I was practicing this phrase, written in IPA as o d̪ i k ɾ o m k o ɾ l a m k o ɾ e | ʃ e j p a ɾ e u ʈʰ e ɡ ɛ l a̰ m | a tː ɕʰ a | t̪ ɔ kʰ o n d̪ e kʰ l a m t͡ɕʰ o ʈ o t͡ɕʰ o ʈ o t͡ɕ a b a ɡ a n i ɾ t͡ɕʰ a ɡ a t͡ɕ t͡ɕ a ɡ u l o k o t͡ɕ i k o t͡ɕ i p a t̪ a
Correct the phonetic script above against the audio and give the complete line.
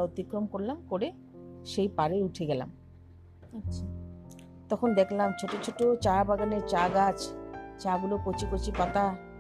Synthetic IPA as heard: o t̪ i k ɾ o m k o ɾ l a m k o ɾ e | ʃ e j p a ɾ e u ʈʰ e ɡ ɛ l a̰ m | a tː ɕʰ a | t̪ ɔ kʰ o n d̪ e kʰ l a m t͡ɕʰ o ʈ o t͡ɕʰ o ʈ o t͡ɕ a b a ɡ a n e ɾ t͡ɕ a ɡ a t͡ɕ t͡ɕ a ɡ u l o k o t͡ɕ i k o t͡ɕ i p a t̪ a